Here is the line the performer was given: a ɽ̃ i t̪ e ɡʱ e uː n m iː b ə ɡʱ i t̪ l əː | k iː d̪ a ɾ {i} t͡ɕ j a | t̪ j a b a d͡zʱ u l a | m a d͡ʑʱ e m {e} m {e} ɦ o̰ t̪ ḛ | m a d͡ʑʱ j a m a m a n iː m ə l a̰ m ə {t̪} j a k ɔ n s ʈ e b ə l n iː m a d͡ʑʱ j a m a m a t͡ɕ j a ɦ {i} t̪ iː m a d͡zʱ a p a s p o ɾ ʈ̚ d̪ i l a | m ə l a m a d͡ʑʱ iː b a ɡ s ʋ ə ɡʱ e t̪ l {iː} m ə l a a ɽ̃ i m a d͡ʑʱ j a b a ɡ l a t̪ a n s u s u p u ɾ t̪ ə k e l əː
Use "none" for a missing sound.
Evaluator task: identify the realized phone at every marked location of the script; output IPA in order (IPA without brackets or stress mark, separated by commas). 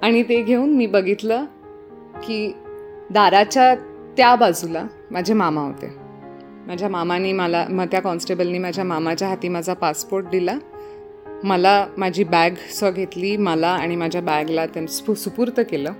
a, a, a, t̪, a, iː